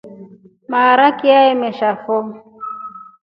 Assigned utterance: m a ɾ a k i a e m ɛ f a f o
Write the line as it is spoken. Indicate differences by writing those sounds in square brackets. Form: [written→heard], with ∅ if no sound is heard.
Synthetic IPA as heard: m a ɾ a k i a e m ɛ [f→ʃ] a f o